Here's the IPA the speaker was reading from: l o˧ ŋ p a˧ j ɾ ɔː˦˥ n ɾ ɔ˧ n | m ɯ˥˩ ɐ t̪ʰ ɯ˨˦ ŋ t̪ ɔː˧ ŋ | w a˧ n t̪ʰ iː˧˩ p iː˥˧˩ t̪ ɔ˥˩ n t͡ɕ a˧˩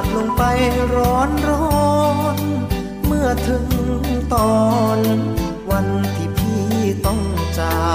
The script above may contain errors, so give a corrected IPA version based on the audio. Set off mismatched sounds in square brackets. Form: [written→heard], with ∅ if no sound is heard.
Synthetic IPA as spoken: l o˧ ŋ p a˧ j ɾ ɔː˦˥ n ɾ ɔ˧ n | m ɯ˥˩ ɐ t̪ʰ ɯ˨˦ ŋ t̪ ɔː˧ [ŋ→n] | w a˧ n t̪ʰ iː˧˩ [p→pʰ] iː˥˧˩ t̪ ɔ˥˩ [n→ŋ] t͡ɕ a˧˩